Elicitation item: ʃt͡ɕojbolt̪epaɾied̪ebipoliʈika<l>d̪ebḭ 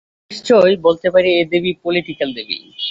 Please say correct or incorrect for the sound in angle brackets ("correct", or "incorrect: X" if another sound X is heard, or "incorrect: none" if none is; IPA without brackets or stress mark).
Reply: correct